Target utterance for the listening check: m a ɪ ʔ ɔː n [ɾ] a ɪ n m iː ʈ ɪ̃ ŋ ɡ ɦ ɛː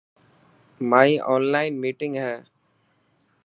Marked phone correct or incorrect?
incorrect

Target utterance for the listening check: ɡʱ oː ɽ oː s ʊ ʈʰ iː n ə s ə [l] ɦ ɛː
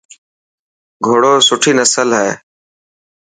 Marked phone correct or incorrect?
correct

